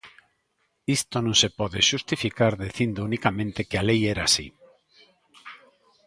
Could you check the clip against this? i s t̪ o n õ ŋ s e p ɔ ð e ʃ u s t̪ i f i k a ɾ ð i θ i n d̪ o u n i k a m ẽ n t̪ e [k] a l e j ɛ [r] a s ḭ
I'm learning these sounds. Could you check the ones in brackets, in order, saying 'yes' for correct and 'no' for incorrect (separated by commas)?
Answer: yes, no